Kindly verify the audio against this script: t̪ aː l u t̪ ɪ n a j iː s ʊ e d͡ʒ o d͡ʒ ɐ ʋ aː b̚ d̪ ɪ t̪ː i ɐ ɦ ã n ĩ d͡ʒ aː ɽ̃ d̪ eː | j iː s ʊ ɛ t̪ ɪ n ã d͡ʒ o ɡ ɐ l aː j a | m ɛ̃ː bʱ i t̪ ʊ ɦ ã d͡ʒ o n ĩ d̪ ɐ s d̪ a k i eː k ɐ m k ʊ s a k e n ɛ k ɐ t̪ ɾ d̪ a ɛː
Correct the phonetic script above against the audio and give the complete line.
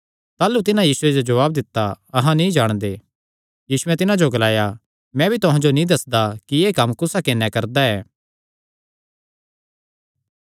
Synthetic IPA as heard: t̪ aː l u t̪ ɪ n a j iː s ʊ e d͡ʒ o d͡ʒ ɐ ʋ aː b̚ d̪ ɪ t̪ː a ɐ ɦ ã n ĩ d͡ʒ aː ɽ̃ d̪ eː | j iː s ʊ ɛ t̪ ɪ n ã d͡ʒ o ɡ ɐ l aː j a | m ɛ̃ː bʱ i t̪ ʊ ɦ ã d͡ʒ o n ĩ d̪ ɐ s d̪ a k i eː k ɐ m k ʊ s a k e n ɛ k ɐ ɾ d̪ a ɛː

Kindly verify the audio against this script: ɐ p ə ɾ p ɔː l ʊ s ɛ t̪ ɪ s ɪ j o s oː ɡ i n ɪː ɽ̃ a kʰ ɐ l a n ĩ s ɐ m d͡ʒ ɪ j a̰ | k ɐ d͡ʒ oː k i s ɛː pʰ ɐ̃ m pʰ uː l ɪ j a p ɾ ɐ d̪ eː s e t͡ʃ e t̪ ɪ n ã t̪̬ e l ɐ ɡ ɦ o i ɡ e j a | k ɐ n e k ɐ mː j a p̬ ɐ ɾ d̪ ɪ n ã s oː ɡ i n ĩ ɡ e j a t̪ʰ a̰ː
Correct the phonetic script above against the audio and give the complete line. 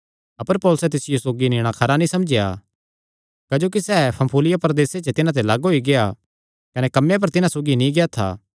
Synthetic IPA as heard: ɐ p ə ɾ p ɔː l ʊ s ɛ t̪ ɪ s ɪ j o s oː ɡ i n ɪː ɽ̃ a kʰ ɐ ɾ a n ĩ s ɐ m d͡ʒ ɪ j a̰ | k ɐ d͡ʒ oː k i s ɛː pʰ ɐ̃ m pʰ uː l ɪ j a p ɾ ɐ d̪ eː s e t͡ʃ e t̪ ɪ n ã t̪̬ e l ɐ ɡ ɦ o i ɡ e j a | k ɐ n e k ɐ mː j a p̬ ɐ ɾ t̪ ɪ n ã s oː ɡ i n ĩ ɡ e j a t̪ʰ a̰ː

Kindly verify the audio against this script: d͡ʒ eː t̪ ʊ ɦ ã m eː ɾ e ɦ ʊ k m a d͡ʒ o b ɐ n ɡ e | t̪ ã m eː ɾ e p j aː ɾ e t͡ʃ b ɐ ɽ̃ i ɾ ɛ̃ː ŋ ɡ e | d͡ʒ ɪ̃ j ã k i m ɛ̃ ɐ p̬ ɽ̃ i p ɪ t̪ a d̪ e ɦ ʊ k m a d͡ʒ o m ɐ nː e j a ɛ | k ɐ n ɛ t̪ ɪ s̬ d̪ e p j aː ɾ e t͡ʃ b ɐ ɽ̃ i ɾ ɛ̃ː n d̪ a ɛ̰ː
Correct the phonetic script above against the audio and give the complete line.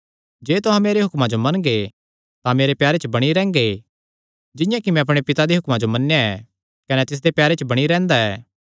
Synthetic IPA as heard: d͡ʒ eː t̪ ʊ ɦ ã m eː ɾ e ɦ ʊ k m a d͡ʒ o m ɐ n ɡ e | t̪ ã m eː ɾ e p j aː ɾ e t͡ʃ b ɐ ɽ̃ i ɾ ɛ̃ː ŋ ɡ e | d͡ʒ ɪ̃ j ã k i m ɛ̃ ɐ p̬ ɽ̃ e p ɪ t̪ a d̪ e ɦ ʊ k m a d͡ʒ o m ɐ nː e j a ɛ | k ɐ n ɛ t̪ ɪ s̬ d̪ e p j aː ɾ e t͡ʃ b ɐ ɽ̃ i ɾ ɛ̃ː n d̪ a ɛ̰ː

